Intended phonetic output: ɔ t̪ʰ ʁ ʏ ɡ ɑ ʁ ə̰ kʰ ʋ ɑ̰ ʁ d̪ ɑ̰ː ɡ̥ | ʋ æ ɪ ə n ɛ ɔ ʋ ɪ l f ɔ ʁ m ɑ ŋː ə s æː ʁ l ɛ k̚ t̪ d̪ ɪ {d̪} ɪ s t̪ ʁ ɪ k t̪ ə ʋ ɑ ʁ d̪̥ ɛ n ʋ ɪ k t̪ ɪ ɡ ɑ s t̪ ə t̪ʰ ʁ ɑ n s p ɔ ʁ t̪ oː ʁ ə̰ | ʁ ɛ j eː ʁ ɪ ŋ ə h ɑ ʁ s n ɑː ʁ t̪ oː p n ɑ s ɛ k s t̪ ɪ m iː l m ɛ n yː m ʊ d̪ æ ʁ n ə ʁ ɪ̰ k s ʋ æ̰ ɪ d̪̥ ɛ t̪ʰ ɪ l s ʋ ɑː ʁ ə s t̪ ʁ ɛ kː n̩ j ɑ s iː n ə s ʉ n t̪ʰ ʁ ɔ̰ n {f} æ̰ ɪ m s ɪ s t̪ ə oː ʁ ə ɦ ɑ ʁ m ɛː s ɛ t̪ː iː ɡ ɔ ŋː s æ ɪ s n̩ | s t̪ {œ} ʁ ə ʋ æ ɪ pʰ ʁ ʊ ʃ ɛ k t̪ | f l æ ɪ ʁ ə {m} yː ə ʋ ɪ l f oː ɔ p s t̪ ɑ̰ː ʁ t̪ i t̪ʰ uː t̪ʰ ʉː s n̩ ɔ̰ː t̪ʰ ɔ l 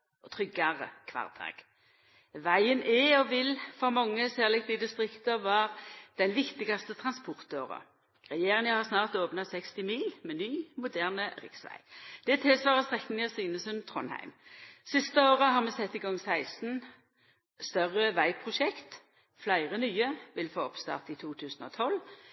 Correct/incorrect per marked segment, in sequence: correct, incorrect: h, correct, incorrect: n

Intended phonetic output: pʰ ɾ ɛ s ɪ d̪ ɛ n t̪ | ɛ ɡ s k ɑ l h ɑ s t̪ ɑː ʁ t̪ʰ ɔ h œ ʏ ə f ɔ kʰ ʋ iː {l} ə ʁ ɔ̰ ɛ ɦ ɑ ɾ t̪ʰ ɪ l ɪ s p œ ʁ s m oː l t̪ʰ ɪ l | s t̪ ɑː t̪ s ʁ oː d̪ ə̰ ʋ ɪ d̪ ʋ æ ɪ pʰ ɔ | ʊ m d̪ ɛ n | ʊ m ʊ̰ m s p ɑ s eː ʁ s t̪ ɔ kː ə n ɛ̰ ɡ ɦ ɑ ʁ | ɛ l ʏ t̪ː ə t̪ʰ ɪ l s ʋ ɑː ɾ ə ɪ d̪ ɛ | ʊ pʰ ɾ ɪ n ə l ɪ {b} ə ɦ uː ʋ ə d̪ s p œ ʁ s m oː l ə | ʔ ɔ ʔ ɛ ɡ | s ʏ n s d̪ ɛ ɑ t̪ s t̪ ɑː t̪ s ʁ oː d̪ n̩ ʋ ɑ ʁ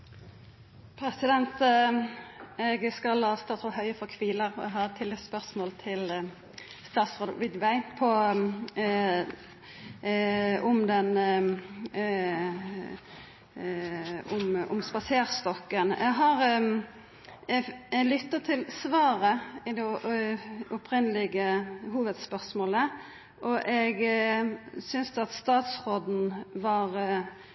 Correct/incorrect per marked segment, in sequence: correct, incorrect: ɡ

